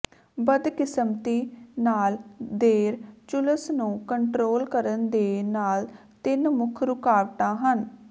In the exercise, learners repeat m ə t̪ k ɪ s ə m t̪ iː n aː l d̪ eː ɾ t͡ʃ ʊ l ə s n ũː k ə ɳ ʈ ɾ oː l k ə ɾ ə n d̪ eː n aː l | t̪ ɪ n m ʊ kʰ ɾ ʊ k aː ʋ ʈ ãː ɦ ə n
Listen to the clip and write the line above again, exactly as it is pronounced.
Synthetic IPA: b ə d̪ k ɪ s ə m t̪ iː n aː l d̪ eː ɾ t͡ʃ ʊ l ə s n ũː k ə ɳ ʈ ɾ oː l k ə ɾ ə n d̪ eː n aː l | t̪ ɪ n m ʊ kʰ ɾ ʊ k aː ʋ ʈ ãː ɦ ə n